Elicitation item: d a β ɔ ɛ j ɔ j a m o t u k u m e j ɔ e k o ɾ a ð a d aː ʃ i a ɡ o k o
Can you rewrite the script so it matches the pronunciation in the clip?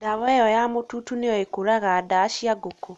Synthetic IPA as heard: d a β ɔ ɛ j ɔ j a m o t u t u n e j ɔ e k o ɾ a ɣ a d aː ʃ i a ɡ o k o